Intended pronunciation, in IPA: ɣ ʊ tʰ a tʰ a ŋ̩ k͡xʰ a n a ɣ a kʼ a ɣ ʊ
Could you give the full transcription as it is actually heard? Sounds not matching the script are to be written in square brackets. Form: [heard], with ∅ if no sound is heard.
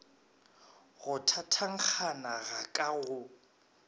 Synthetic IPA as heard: ɣ ʊ tʰ a tʰ a ŋ̩ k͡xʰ a n a ɣ a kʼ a ɣ ʊ